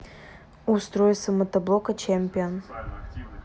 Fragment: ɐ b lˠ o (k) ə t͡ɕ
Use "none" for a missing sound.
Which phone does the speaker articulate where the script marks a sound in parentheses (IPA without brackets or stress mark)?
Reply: k